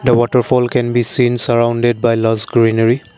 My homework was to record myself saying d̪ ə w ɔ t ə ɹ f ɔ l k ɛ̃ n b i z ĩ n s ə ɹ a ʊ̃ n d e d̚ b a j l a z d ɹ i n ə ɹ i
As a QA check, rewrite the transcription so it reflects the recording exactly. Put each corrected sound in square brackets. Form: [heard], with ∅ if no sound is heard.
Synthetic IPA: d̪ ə w ɔ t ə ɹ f ɔ l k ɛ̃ n b i [s] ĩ n s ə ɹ a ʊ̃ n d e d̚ b a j l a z [ɡ] ɹ i n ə ɹ i